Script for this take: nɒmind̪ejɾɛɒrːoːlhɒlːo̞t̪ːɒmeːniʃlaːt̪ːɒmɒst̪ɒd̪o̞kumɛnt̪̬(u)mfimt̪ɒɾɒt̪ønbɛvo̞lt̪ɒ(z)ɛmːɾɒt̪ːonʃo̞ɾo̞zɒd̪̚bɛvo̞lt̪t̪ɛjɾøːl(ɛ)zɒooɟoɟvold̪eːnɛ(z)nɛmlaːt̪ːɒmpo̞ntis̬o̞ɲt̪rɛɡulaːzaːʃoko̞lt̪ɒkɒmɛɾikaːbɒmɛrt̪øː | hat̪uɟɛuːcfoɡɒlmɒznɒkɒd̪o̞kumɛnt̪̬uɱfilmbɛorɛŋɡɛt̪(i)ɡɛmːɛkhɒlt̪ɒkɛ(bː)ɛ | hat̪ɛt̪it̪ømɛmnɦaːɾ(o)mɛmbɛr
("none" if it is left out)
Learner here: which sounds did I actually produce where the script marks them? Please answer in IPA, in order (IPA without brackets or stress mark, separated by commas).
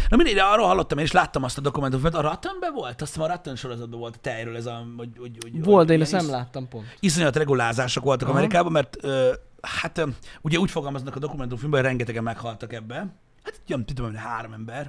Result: u, s, ɛ, s, ɛ, bː, o